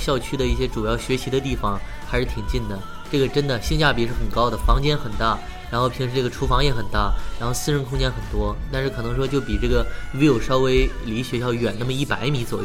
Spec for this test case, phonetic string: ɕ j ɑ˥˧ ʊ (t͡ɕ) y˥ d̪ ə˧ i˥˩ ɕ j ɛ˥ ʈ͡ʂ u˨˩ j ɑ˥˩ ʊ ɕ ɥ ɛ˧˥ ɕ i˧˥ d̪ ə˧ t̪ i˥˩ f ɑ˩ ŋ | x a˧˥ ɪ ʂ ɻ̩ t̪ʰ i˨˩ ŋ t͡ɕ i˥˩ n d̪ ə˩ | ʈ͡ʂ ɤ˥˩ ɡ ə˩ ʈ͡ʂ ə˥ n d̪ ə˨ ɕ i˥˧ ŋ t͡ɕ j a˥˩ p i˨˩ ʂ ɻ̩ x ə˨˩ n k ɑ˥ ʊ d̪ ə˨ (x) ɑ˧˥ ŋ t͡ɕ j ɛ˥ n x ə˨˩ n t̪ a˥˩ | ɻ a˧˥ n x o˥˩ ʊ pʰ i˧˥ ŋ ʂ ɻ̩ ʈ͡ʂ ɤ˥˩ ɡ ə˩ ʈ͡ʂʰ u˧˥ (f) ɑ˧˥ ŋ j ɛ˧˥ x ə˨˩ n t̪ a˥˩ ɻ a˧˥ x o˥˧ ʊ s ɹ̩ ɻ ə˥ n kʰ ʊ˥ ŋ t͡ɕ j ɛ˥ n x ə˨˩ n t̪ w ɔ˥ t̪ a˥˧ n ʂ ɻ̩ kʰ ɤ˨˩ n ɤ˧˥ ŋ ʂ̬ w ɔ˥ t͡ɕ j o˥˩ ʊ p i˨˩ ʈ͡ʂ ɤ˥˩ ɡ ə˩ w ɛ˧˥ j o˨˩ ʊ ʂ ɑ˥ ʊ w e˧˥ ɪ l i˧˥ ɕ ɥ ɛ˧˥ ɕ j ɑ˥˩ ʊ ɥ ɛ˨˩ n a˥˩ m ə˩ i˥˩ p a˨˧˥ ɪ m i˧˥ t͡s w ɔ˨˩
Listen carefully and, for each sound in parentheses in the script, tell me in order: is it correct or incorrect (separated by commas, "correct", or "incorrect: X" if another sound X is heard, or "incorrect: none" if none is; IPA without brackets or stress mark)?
incorrect: t͡ɕʰ, incorrect: f, correct